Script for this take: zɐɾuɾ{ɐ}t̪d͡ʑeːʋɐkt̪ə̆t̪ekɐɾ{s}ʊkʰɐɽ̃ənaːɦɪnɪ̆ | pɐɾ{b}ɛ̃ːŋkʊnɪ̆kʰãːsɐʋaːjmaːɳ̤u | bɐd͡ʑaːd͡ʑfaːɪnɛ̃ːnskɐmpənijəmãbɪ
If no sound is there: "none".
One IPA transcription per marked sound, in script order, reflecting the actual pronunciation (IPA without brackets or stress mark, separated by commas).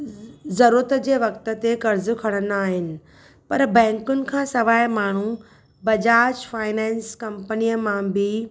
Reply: ə, z, b